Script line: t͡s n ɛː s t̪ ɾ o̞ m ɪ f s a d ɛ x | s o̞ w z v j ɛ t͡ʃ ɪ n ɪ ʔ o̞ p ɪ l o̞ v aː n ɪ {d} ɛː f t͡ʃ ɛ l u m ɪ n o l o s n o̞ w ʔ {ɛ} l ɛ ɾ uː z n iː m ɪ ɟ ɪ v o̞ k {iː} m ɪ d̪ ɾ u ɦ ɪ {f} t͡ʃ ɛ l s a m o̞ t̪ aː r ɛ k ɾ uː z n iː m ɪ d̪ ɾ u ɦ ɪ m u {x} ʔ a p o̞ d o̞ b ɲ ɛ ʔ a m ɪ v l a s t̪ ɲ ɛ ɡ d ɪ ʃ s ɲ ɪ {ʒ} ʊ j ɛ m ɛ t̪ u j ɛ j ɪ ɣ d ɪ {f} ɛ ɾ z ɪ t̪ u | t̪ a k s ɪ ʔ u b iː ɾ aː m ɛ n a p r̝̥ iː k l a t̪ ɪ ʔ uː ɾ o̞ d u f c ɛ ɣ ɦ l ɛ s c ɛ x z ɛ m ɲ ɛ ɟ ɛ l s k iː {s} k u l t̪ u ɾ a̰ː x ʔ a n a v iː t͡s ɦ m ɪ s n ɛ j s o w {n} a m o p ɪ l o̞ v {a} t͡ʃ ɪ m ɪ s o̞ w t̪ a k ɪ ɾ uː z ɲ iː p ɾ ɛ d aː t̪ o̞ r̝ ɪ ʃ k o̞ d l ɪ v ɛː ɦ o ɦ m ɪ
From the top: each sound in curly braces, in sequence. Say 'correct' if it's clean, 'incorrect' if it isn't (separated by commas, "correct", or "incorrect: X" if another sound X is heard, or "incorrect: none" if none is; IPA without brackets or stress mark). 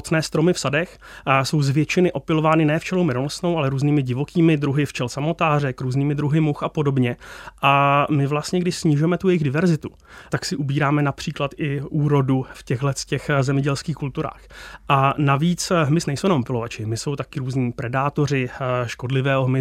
incorrect: n, incorrect: a, correct, correct, correct, correct, incorrect: v, incorrect: x, correct, correct